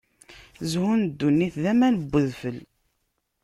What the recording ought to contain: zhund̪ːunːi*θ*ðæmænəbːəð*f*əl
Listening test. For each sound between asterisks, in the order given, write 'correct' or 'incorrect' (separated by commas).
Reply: correct, correct